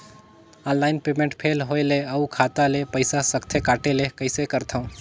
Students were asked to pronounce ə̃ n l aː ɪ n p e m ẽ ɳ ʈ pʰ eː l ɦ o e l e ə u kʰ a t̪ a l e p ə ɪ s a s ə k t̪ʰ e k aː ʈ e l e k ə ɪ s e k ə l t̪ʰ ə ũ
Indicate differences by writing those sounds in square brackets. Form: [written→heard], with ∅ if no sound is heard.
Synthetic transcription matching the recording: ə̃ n l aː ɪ n p e m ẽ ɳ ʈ pʰ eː l ɦ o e l e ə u kʰ a t̪ a l e p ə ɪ s a s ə k t̪ʰ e k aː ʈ e l e k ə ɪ s e k ə [l→ɾ] t̪ʰ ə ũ